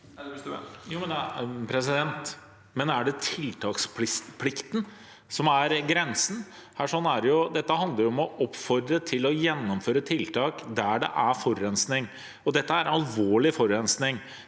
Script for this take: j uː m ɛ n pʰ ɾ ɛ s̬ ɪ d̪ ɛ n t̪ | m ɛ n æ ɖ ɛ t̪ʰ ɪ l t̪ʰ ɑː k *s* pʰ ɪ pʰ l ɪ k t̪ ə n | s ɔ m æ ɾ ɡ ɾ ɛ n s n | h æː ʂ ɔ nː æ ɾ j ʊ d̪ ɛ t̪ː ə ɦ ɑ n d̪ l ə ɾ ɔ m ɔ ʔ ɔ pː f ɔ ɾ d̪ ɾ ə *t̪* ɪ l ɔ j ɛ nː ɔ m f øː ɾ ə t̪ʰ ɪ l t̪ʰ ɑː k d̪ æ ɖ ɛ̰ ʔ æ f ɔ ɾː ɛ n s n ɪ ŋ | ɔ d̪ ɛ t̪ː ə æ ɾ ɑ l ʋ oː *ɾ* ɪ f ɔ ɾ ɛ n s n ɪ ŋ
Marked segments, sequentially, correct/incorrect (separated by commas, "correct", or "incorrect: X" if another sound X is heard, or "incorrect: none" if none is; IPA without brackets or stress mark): correct, incorrect: t̪ʰ, incorrect: ɭ